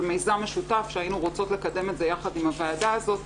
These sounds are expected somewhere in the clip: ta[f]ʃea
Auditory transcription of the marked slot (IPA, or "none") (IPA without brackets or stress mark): f